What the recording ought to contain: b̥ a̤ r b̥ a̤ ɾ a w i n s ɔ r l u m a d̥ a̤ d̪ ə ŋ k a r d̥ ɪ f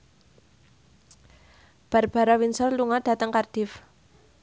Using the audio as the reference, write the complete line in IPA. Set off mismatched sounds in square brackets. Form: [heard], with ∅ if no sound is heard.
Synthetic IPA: b̥ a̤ r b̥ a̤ ɾ a w i n s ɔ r l u [ŋ] a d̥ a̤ [t̪] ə ŋ k a r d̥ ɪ f